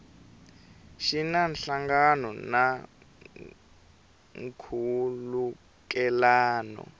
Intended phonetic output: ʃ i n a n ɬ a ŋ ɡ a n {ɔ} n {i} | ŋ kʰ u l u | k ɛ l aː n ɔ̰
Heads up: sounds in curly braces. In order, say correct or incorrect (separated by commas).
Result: correct, incorrect